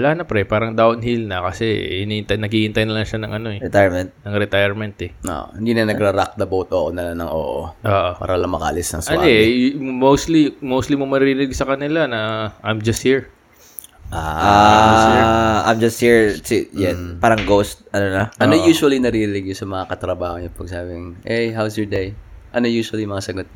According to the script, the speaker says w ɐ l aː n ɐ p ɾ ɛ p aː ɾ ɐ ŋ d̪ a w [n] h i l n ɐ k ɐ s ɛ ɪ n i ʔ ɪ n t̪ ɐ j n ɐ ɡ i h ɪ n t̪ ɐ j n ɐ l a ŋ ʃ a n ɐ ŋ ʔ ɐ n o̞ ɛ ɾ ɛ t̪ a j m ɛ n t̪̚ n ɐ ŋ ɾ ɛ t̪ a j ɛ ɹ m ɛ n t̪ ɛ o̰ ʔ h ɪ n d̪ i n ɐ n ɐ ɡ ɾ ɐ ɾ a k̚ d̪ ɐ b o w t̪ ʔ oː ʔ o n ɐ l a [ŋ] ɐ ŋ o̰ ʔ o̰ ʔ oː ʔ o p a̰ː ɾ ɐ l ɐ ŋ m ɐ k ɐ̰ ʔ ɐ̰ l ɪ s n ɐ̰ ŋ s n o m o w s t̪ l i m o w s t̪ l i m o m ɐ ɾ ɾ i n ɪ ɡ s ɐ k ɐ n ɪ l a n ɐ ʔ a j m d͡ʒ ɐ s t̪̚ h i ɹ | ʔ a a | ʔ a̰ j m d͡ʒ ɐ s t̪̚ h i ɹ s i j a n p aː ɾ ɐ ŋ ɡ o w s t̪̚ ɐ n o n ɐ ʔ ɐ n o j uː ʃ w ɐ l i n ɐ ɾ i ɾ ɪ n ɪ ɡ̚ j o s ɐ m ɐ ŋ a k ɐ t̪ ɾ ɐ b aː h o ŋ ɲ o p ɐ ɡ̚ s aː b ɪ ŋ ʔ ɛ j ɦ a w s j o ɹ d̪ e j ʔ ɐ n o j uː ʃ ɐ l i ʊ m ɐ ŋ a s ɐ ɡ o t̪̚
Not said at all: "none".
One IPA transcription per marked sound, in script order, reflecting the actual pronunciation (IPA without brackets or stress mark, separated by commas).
n, n